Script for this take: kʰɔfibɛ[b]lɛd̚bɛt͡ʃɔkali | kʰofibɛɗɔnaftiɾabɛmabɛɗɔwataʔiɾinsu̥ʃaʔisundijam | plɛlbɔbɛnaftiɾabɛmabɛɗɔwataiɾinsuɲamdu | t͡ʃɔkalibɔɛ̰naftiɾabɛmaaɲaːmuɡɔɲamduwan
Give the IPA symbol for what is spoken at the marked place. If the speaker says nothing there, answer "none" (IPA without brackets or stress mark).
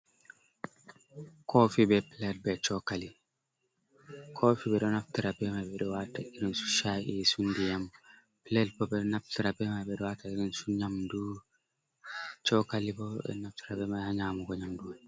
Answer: p